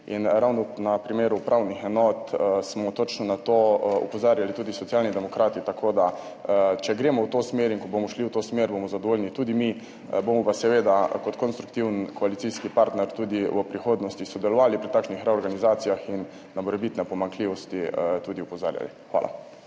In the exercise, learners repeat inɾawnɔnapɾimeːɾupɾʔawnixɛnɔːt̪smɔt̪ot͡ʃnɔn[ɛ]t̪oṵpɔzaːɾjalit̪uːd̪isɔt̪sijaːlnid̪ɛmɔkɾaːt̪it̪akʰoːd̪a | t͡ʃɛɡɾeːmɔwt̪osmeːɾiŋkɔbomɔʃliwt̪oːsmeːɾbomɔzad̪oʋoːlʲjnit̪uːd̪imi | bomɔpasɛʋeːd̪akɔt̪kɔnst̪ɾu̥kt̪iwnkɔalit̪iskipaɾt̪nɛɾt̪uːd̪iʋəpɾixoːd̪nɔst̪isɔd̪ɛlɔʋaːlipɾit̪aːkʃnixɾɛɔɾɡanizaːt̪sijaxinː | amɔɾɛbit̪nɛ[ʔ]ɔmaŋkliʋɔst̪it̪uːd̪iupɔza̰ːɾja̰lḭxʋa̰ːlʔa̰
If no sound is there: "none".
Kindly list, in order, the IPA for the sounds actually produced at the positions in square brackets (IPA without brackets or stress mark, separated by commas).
a, p